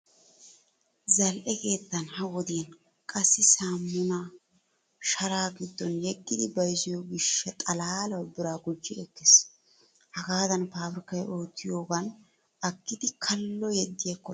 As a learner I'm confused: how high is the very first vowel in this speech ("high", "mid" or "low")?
low